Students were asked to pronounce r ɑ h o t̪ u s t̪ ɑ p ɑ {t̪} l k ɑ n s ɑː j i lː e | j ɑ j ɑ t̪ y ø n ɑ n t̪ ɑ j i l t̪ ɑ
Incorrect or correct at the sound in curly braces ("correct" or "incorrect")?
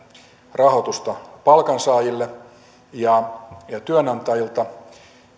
incorrect